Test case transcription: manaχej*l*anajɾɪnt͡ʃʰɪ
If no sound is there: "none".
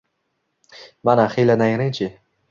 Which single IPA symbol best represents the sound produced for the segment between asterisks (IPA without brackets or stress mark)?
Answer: l